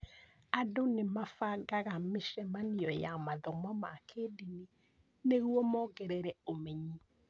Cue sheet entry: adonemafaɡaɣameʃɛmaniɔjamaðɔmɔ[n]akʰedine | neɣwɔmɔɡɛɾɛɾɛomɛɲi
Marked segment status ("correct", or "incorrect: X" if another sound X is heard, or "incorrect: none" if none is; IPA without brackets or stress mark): incorrect: m